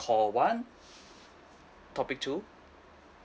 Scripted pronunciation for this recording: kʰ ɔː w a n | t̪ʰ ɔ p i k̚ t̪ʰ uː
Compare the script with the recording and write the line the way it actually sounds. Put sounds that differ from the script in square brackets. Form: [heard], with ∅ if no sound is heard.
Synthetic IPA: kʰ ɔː w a n | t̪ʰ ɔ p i k̚ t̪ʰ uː